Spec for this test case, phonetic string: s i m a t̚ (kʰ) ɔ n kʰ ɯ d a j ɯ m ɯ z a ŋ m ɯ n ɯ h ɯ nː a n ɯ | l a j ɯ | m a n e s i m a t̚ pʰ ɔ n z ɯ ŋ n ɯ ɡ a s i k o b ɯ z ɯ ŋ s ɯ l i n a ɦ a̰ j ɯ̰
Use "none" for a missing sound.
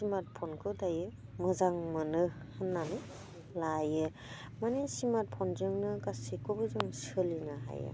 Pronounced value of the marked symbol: pʰ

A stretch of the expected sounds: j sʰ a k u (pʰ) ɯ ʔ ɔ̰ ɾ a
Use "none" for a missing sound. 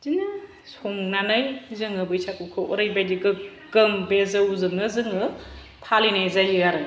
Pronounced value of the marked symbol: kʰ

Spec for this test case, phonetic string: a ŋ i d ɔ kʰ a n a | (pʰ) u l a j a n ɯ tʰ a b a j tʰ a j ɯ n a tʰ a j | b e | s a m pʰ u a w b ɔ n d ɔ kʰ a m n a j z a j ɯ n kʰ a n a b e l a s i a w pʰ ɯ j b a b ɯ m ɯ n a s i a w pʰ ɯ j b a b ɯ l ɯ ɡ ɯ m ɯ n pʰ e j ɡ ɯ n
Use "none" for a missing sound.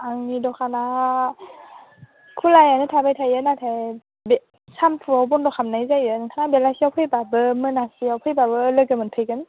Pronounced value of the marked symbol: kʰ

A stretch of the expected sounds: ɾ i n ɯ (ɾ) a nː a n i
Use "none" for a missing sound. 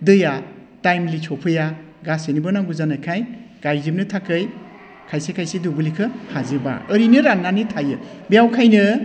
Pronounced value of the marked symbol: ɾ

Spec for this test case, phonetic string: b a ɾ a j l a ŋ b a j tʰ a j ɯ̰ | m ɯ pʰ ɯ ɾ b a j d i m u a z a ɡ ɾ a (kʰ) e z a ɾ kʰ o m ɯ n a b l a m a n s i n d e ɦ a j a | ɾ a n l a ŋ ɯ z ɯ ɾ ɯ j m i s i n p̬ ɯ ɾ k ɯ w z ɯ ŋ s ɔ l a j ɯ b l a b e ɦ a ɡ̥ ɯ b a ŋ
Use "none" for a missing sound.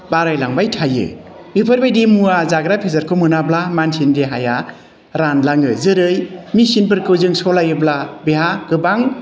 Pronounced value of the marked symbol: pʰ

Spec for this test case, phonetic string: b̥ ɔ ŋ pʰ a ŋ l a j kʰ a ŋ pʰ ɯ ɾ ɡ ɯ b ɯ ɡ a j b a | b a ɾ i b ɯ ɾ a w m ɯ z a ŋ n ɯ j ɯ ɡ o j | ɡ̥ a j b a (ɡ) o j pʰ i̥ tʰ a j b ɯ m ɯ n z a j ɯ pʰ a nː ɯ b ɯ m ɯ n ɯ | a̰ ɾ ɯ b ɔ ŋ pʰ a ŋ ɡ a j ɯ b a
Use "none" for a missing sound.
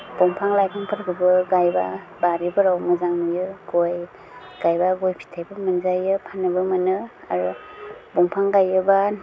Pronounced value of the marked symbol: ɡ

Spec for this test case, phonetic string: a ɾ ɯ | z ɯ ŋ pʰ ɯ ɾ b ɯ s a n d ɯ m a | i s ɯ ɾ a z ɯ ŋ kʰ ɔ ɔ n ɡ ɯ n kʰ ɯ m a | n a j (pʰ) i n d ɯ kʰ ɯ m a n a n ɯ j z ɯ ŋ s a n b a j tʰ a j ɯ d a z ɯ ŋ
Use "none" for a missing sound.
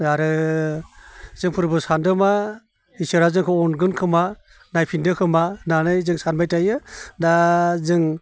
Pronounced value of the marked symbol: pʰ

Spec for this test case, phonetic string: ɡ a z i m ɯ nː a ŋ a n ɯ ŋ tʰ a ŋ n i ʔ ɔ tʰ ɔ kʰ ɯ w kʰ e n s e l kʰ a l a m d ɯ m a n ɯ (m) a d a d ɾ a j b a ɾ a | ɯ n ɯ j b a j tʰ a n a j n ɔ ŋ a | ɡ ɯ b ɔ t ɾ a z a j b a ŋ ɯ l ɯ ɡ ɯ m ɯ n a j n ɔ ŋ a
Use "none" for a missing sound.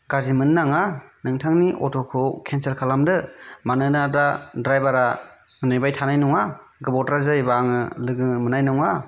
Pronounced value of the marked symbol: n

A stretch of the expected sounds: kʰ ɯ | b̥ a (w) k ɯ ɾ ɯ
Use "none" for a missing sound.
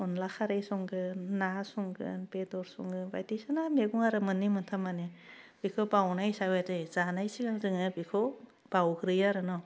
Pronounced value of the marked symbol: w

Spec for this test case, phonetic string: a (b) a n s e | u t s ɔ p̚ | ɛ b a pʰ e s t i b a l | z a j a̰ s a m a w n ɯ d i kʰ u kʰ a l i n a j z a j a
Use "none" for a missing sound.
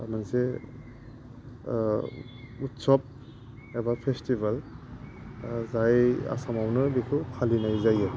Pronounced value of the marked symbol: m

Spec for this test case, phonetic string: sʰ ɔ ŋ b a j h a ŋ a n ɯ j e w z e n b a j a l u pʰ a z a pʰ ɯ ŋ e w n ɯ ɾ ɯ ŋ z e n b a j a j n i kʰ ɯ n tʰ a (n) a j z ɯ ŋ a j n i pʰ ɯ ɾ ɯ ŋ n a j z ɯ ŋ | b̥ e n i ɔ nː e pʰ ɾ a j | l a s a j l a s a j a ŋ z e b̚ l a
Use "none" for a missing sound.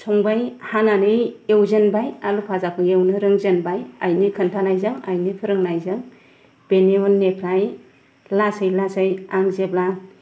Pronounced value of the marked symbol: n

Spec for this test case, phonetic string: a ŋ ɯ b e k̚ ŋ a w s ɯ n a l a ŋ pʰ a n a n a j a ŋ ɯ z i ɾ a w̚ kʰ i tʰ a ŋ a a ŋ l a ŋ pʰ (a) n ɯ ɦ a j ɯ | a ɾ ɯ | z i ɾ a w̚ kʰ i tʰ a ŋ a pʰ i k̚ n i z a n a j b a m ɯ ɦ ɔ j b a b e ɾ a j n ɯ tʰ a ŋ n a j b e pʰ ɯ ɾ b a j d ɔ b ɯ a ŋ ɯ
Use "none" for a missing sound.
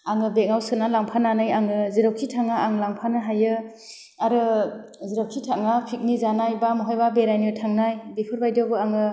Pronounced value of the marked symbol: a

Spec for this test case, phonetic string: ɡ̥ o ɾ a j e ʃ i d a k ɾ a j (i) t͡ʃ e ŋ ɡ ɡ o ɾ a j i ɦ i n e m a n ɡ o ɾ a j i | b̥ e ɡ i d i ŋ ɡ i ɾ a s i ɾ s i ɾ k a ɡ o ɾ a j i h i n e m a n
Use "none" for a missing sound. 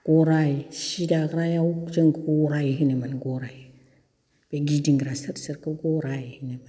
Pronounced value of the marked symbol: a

